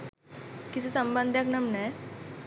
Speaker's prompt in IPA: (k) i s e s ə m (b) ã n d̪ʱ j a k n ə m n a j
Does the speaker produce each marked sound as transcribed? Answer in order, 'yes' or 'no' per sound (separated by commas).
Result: yes, yes